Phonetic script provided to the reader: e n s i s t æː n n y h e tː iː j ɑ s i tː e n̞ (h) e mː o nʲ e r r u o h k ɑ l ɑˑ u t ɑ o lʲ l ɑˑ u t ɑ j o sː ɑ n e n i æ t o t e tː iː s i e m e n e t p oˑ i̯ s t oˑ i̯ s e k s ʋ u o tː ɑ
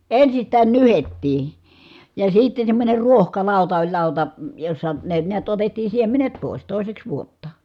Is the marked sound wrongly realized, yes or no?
yes